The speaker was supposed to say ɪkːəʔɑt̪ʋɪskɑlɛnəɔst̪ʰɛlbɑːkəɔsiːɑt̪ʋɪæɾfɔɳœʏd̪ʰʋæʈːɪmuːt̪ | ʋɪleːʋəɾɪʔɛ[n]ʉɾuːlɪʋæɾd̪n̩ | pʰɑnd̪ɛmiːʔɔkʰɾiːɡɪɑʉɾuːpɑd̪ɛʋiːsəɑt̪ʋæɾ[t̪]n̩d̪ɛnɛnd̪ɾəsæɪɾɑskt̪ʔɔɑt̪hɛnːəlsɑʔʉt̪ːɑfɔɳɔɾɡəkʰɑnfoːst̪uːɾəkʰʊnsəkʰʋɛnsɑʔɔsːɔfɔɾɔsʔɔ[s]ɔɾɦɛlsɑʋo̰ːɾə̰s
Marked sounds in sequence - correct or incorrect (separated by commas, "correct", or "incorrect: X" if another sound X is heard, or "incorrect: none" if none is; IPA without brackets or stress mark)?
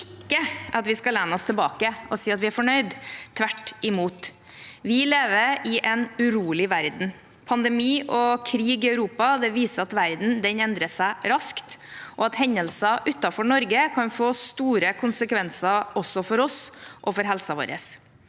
correct, incorrect: d̪, incorrect: f